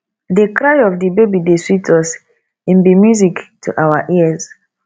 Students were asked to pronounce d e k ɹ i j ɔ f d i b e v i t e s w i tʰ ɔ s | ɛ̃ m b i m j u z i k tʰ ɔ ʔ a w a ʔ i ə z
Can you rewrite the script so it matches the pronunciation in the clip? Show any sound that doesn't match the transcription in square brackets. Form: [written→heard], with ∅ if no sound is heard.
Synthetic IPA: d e k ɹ [i→a] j ɔ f d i b e [v→b] i [t→d] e s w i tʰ ɔ s | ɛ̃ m b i m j u z i k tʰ [ɔ→u] ʔ a w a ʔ i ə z